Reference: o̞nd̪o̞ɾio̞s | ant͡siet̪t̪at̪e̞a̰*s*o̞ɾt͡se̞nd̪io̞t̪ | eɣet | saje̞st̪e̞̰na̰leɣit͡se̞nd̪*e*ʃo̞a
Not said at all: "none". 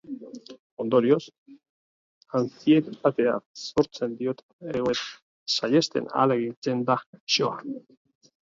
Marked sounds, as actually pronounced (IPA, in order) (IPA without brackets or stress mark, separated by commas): s, a